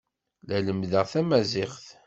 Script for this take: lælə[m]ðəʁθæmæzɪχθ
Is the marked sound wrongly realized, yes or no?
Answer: no